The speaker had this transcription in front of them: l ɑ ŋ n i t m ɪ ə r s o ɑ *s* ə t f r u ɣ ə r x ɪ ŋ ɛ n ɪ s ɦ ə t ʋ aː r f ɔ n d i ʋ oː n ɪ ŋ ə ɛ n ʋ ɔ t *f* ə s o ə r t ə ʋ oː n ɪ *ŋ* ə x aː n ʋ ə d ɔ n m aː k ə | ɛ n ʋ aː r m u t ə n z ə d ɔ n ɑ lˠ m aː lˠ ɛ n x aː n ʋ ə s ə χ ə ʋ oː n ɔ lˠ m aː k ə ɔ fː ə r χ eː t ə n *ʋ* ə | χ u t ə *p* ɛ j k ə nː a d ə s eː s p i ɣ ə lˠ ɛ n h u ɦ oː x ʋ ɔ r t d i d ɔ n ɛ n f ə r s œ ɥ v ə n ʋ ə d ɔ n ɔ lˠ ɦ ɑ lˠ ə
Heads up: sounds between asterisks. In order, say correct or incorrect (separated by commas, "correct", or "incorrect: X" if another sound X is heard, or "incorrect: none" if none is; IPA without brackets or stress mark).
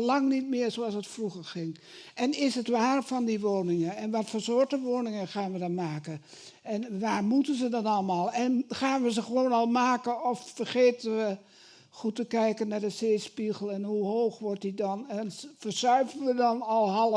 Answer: correct, correct, correct, correct, incorrect: k